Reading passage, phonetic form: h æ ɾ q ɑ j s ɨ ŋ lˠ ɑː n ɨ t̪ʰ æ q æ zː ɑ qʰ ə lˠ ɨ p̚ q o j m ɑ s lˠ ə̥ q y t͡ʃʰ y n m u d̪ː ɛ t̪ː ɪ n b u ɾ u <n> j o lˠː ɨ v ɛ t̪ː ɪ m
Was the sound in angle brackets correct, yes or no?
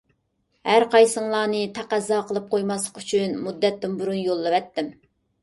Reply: yes